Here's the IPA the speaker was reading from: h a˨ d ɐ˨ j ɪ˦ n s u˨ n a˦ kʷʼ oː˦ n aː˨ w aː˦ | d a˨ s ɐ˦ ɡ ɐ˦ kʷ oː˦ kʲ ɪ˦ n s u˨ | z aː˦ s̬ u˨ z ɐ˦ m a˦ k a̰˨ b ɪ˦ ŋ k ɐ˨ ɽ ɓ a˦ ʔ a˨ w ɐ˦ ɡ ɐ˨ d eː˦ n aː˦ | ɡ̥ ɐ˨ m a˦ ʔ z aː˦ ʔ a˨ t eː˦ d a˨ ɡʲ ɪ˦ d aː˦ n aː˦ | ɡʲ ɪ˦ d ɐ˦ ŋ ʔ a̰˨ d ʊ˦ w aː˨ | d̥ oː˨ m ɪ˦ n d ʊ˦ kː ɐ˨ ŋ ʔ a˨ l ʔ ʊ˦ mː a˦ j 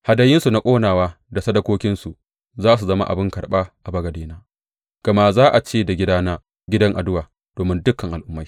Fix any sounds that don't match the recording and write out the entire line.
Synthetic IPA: h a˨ d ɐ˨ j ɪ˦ n s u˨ n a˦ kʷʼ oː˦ n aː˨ w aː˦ | d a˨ s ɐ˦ d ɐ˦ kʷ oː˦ kʲ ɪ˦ n s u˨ | z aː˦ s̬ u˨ z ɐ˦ m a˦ ʔ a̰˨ b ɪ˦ ŋ k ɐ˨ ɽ ɓ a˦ ʔ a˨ b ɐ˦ ɡ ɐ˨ d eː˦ n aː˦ | ɡ̥ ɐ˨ m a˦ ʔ z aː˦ ʔ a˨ t͡ʃ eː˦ d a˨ ɡʲ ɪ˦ d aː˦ n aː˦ | ɡʲ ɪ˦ d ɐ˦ ŋ ʔ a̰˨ d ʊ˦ w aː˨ | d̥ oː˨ m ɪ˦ n d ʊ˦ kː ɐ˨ ŋ ʔ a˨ l ʔ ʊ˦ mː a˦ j